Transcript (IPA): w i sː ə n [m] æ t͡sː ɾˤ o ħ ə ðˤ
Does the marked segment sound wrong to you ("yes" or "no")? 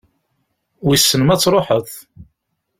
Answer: no